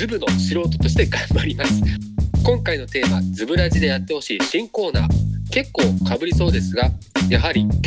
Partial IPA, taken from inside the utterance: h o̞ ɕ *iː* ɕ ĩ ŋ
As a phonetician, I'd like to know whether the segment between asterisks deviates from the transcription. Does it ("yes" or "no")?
no